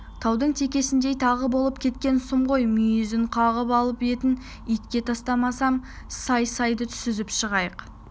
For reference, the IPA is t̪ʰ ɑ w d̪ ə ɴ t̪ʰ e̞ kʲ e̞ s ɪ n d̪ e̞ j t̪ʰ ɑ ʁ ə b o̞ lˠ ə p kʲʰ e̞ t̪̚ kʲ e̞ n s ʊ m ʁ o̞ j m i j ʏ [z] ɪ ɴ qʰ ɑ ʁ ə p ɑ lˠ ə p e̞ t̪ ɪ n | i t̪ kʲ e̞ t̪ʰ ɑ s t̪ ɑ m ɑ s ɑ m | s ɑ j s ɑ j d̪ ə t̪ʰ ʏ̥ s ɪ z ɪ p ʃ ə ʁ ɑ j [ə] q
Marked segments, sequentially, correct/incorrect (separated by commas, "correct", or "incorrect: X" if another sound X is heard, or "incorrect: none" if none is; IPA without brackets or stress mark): correct, correct